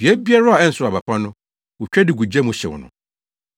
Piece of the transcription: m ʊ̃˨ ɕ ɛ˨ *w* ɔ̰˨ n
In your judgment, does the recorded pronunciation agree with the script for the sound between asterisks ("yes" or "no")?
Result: yes